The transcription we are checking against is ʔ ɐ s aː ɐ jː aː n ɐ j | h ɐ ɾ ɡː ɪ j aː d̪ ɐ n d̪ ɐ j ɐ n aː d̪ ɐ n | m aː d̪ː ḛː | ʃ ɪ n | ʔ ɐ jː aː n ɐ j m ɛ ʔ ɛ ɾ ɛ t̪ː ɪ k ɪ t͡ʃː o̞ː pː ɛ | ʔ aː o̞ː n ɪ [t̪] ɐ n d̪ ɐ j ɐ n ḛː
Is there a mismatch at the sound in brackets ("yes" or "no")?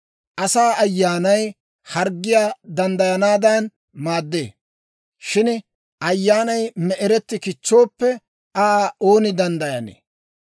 yes